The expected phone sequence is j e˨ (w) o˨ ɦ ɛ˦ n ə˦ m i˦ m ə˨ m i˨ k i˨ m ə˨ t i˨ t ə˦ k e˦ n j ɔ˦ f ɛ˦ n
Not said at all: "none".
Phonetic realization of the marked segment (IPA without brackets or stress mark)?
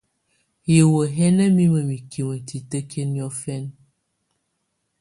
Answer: w